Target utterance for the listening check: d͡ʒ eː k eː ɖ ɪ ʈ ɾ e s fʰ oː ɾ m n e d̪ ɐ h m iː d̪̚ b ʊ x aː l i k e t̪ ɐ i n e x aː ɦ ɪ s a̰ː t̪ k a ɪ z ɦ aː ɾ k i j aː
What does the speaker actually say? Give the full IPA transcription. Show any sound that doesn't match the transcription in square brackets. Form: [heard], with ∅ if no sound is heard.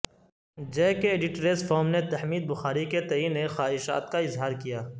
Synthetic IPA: d͡ʒ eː k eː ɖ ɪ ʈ ɾ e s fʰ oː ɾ m n e [t̪] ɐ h m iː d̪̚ b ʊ x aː [ɾ] i k e t̪ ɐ i n e x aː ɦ ɪ [ʃ] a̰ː t̪ k a ɪ z ɦ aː ɾ k i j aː